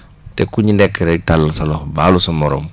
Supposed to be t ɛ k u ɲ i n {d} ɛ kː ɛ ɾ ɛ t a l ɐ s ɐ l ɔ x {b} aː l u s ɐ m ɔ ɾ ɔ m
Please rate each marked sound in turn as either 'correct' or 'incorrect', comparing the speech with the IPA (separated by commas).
correct, correct